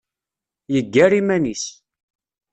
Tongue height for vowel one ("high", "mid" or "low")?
mid